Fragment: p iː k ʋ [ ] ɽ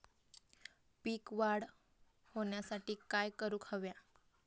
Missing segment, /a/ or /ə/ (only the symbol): a